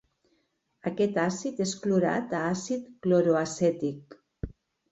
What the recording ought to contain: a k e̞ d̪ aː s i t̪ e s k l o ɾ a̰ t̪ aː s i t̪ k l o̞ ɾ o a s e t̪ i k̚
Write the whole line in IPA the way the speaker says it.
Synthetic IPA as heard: a k e̞ t̪ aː s i t̪ e s k l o ɾ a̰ t̪ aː s i t̪ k l o̞ ɾ o a s e t̪ i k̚